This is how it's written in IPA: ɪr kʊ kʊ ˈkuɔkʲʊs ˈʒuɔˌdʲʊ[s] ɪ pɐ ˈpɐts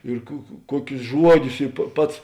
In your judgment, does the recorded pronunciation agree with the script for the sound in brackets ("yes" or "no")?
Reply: yes